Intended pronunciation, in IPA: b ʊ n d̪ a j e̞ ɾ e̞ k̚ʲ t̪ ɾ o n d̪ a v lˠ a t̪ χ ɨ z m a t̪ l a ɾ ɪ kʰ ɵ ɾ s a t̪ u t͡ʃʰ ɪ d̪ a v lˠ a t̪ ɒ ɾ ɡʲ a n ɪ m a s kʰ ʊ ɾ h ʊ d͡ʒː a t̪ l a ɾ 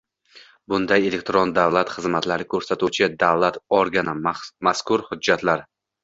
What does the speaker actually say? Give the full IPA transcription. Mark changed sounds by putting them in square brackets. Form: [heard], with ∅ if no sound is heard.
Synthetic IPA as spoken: b ʊ n d̪ a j e̞ [l] e̞ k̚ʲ t̪ ɾ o n d̪ a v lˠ a t̪ χ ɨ z m a t̪ l a ɾ ɪ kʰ ɵ ɾ s a t̪ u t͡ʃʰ ɪ d̪ a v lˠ a t̪ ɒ ɾ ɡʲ a n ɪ m a s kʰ ʊ ɾ h ʊ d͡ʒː a t̪ l a ɾ

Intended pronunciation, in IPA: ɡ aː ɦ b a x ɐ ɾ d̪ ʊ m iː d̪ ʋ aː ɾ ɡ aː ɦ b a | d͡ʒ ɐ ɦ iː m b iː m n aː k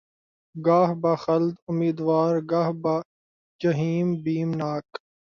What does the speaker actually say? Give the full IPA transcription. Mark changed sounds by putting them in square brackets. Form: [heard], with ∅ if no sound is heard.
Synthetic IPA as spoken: ɡ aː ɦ b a x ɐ [l] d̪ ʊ m iː d̪ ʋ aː ɾ ɡ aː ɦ b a | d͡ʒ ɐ ɦ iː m b iː m n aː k

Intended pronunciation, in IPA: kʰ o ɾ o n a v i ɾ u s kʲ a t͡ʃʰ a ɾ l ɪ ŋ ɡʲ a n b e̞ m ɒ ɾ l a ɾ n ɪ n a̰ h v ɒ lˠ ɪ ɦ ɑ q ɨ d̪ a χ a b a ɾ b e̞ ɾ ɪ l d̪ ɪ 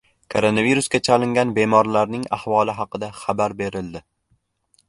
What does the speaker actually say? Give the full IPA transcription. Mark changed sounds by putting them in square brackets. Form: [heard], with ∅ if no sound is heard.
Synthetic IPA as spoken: kʰ o ɾ o n a v i ɾ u s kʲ a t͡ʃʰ a [∅] l ɪ ŋ ɡʲ a n b e̞ m ɒ ɾ l a ɾ n ɪ [ŋ] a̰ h v ɒ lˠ ɪ ɦ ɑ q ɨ d̪ a χ a b a ɾ b e̞ ɾ ɪ l d̪ ɪ

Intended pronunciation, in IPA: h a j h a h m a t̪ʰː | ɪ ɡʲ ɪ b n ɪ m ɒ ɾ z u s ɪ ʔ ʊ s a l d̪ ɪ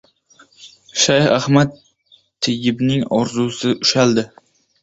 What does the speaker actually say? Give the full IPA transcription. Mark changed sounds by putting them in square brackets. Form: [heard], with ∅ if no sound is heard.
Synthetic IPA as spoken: [ʃ] a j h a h m a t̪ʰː | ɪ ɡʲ ɪ b n ɪ [ŋ] ɒ ɾ z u s ɪ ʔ ʊ [ʃ] a l d̪ ɪ

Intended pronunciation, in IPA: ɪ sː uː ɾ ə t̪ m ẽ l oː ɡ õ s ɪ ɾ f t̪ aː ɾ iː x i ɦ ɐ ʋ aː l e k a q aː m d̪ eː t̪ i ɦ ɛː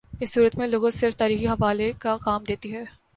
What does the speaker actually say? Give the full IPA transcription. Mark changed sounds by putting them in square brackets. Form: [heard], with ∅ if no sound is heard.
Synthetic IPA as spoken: ɪ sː uː ɾ ə t̪ m ẽ l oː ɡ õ s ɪ ɾ f t̪ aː ɾ iː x i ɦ ɐ ʋ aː l e k a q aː m d̪ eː t̪ i ɦ ɛː

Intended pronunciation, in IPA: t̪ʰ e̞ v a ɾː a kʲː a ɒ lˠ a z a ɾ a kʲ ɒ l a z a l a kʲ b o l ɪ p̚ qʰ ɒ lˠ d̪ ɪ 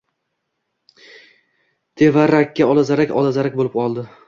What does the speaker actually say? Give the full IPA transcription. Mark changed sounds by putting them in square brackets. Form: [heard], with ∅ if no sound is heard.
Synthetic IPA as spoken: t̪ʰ e̞ v a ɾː a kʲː a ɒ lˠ a z a ɾ a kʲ ɒ l a z a [ɾ] a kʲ b o l ɪ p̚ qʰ ɒ lˠ d̪ ɪ

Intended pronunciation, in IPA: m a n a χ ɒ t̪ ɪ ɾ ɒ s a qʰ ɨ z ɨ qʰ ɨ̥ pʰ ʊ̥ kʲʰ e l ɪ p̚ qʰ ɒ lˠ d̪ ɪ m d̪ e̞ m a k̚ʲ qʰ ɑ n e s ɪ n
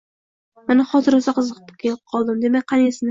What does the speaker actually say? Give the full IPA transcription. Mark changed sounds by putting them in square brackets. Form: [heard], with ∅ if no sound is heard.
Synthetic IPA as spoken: m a n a χ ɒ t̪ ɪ ɾ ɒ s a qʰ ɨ z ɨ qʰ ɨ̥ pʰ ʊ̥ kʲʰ e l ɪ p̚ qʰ ɒ lˠ d̪ ɪ m d̪ e̞ m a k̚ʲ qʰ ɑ n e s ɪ n

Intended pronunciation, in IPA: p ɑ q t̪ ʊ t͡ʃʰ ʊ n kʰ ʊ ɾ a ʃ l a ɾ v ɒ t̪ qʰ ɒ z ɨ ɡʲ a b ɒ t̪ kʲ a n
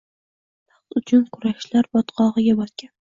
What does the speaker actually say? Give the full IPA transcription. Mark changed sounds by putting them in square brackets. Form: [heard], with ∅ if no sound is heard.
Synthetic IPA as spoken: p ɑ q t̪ ʊ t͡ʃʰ ʊ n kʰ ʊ ɾ a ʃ l a ɾ [b] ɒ t̪ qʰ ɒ [ʁ] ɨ ɡʲ a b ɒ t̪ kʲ a n

